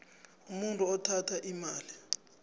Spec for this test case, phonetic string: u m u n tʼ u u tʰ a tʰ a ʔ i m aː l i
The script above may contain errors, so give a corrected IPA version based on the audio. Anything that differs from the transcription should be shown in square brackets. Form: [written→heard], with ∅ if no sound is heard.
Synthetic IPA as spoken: u m u n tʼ u [u→ɔ] tʰ a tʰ a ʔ i m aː l i

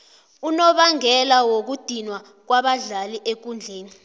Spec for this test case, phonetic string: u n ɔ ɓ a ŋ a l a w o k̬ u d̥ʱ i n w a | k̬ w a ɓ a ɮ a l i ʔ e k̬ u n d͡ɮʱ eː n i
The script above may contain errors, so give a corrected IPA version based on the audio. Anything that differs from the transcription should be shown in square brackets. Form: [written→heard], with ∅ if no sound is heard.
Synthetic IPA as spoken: u n ɔ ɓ a ŋ [a→ɛ] l a w o k̬ u d̥ʱ i n w a | k̬ w a ɓ a ɮ a l i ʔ e k̬ u n d͡ɮʱ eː n i

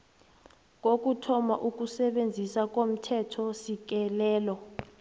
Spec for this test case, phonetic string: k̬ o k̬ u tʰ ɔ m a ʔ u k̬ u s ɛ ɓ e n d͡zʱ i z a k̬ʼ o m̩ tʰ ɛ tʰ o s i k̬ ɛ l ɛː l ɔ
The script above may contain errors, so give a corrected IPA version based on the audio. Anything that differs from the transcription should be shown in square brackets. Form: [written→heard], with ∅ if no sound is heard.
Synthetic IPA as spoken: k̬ o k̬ u tʰ ɔ m a ʔ u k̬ u s ɛ ɓ e n d͡zʱ i [z→s] a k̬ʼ o m̩ tʰ ɛ tʰ [o→ɔ] s i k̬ ɛ l ɛː l ɔ

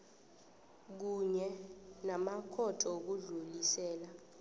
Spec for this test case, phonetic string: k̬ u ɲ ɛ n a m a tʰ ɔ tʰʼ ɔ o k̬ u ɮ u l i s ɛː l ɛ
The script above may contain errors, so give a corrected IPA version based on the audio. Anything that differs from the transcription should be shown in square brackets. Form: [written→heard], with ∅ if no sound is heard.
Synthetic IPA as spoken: k̬ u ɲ ɛ n a m a [tʰ→kʰ] ɔ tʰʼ ɔ o k̬ u ɮ u l i s ɛː l [ɛ→a]

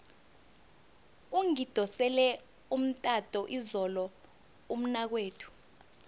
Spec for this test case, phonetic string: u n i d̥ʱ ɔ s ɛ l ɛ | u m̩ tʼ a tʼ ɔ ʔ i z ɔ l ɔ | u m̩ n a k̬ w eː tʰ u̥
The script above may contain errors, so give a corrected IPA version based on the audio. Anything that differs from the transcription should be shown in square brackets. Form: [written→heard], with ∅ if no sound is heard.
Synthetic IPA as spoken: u [n→ŋ] i d̥ʱ ɔ s ɛ l ɛ | u m̩ tʼ a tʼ ɔ ʔ i z ɔ l ɔ | u m̩ n a k̬ w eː tʰ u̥

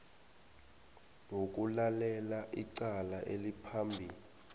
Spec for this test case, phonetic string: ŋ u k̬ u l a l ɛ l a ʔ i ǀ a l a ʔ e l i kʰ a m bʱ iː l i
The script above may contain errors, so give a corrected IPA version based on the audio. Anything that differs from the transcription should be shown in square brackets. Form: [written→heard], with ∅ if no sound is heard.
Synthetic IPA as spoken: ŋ [u→o] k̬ u l a l ɛ l a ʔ i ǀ a l a ʔ e l i [kʰ→pʰ] a m bʱ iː l i

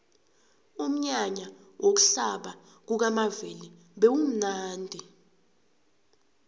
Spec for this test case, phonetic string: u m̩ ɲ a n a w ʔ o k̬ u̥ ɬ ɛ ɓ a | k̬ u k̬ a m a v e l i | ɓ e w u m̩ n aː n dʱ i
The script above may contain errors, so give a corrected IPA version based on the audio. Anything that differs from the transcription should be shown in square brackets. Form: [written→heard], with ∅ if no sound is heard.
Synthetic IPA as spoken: u m̩ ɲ a [n→ɲ] a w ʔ o k̬ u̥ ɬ [ɛ→a] ɓ a | k̬ u k̬ a m a v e l i | ɓ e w u m̩ n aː n dʱ i

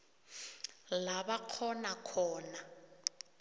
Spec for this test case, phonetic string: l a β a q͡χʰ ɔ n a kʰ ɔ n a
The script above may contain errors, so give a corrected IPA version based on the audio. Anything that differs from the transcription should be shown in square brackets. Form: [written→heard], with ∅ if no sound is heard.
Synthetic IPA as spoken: l a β a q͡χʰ ɔ n a kʰ [ɔ→ɔː] n a

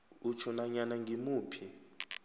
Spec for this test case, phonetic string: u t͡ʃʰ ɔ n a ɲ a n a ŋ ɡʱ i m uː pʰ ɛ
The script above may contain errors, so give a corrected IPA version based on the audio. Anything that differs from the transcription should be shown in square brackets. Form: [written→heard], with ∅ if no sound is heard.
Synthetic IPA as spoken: u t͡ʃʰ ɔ n a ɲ a n a ŋ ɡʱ i m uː pʰ [ɛ→i]

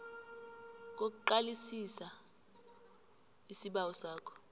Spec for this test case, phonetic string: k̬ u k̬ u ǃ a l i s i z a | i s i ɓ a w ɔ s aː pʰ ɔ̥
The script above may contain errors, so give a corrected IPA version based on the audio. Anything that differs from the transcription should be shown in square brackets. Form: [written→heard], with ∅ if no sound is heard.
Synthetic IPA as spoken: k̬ [u→o] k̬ u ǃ a l i s i [z→s] a | i s i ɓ a w ɔ s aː [pʰ→kʰ] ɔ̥

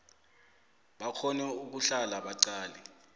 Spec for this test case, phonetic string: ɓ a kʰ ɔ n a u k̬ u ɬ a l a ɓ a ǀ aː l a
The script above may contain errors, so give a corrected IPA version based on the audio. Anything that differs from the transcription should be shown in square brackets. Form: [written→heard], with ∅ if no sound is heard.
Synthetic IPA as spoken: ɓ a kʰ ɔ n [a→ɛ] u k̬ u ɬ a l a ɓ a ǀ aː l [a→ɛ]

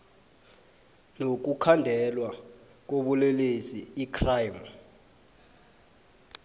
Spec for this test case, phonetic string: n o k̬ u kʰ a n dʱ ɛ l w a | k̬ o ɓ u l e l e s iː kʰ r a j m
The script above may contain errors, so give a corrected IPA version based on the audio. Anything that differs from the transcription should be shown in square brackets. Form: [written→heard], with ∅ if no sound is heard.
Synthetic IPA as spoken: n o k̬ u kʰ a n dʱ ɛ l w a | k̬ o ɓ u l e l e s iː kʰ r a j m

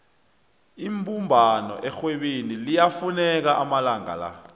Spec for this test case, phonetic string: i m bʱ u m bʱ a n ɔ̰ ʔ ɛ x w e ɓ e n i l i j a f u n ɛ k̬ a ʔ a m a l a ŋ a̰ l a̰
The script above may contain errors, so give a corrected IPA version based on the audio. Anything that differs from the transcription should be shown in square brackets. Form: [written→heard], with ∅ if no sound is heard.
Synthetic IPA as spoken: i m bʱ u m bʱ a n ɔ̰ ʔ ɛ x w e ɓ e n i l i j a f u n ɛ k̬ a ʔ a m a l a ŋ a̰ l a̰

